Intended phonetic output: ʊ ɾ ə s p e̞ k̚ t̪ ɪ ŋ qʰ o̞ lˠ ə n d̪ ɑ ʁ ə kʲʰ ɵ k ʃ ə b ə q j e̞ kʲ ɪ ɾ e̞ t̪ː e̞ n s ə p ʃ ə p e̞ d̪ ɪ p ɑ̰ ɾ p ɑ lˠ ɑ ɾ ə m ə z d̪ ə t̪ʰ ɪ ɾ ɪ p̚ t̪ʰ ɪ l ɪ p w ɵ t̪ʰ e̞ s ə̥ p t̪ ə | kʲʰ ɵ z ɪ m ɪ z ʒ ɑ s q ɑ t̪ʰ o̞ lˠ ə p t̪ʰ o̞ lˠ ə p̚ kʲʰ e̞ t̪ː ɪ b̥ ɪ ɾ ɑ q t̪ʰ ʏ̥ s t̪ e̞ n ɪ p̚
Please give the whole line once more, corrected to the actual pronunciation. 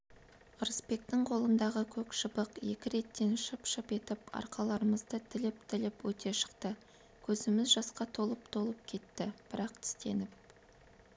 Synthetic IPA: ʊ ɾ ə s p e̞ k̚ t̪ ɪ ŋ qʰ o̞ lˠ ə n d̪ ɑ ʁ ə kʲʰ ɵ k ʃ ə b ə q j e̞ kʲ ɪ ɾ e̞ t̪ː e̞ n ʃ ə p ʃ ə p e̞ t̪ ɪ p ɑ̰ ɾ q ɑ lˠ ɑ ɾ ə m ə z d̪ ə t̪ʰ ɪ l ɪ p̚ t̪ʰ ɪ l ɪ p w ɵ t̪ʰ e̞ ʃ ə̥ q t̪ ə | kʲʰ ɵ z ɪ m ɪ z ʒ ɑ s q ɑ t̪ʰ o̞ lˠ ə p t̪ʰ o̞ lˠ ə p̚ kʲʰ e̞ t̪ː ɪ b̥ ɪ ɾ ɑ q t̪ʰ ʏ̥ s t̪ e̞ n ɪ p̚